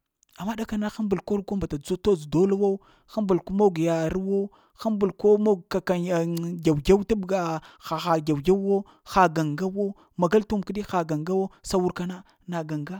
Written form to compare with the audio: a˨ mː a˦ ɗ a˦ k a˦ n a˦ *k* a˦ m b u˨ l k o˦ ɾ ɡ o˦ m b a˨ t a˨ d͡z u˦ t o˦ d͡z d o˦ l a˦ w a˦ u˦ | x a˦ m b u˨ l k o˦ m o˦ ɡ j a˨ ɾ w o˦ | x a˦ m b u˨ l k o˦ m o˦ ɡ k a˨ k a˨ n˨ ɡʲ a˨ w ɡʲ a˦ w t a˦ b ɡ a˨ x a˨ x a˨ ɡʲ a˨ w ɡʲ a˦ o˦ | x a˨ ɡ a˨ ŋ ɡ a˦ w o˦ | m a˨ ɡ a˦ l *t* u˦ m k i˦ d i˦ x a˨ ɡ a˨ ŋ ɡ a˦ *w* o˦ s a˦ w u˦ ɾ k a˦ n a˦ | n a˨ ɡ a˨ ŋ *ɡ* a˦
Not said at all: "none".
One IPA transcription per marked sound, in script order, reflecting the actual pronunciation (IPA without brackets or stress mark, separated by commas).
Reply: x, t, w, ɡ